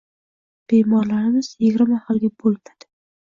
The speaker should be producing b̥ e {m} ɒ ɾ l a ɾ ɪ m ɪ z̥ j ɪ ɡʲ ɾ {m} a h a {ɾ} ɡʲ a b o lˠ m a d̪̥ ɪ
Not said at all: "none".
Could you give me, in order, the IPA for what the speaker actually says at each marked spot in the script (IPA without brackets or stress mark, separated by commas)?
m, m, l